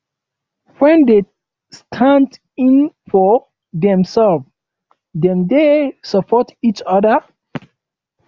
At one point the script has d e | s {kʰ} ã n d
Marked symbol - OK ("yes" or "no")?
no